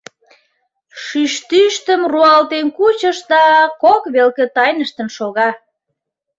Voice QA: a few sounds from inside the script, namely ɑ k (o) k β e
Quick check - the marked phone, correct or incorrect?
correct